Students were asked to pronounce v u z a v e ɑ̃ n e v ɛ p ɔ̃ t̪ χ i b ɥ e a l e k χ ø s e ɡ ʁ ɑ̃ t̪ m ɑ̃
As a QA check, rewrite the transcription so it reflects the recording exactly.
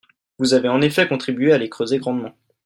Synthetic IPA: v u z a v e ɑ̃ n e f ɛ k ɔ̃ t̪ χ i b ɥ e a l e k χ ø z e ɡ ʁ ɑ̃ d̪ m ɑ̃